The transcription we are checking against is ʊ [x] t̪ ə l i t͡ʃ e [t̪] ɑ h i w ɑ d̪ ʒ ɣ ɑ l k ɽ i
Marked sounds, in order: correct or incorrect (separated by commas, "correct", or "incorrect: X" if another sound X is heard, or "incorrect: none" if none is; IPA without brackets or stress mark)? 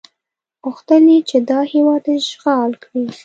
correct, incorrect: d̪